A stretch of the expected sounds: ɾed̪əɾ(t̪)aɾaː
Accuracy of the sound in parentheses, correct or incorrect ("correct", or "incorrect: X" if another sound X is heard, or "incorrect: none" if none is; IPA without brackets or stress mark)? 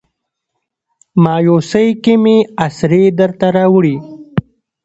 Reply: correct